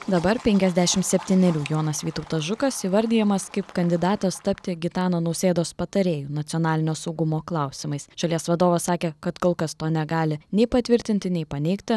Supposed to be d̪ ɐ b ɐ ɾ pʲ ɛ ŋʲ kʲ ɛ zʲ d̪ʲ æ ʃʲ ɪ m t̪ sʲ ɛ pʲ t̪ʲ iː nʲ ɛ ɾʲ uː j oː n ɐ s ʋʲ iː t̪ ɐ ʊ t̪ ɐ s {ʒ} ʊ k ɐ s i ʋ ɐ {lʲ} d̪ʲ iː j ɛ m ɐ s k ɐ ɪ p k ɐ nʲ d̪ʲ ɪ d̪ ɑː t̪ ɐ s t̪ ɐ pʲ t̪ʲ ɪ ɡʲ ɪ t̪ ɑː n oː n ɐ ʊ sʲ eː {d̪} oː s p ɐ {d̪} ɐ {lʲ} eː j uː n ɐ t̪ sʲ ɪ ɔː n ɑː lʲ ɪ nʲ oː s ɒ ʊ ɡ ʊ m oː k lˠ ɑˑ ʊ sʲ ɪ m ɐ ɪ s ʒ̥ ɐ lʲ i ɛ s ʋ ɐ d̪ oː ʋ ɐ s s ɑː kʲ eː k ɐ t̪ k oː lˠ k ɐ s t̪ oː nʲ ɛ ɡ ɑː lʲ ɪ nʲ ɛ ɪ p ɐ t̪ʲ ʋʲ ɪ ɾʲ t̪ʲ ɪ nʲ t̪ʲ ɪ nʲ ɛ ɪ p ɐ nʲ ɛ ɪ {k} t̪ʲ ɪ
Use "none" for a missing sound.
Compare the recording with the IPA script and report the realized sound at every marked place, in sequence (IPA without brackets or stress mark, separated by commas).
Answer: ʒ, ɾʲ, d̪, t̪, ɾʲ, k